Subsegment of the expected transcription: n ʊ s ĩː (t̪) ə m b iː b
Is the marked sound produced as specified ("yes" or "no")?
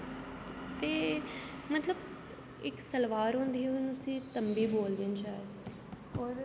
yes